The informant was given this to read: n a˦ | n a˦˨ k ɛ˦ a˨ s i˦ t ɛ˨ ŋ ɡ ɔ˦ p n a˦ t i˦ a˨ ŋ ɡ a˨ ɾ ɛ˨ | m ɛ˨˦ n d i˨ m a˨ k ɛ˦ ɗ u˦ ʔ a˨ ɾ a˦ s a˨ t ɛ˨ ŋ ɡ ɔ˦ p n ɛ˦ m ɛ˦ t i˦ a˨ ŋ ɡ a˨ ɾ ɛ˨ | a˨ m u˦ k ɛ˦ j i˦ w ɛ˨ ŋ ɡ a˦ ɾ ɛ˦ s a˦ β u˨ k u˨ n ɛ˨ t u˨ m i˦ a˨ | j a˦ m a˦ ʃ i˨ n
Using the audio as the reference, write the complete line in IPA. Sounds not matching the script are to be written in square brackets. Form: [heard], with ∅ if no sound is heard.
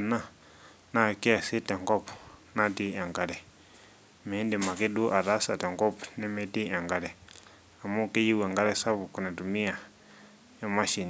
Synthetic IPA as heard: n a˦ | n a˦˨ k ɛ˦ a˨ s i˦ t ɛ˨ ŋ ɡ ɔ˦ p n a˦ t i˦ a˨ ŋ ɡ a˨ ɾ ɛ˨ | m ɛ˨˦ n d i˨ m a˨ k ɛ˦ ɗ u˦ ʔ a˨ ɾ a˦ s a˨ t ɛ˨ ŋ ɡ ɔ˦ p n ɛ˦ m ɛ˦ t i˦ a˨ ŋ ɡ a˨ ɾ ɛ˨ | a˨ m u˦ k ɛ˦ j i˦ w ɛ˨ ŋ ɡ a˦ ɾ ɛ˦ s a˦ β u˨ k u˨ n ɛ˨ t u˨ m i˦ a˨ | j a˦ m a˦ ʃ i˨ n